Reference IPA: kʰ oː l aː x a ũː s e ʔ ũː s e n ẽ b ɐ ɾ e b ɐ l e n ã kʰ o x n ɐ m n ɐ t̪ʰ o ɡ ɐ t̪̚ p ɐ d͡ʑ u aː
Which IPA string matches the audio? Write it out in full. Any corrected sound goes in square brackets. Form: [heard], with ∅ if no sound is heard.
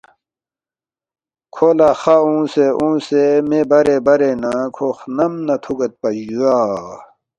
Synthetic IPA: kʰ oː l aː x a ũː s e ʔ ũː s e [m] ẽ b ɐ ɾ e b ɐ [ɾ] e n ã kʰ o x n ɐ m n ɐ t̪ʰ [u] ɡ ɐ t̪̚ p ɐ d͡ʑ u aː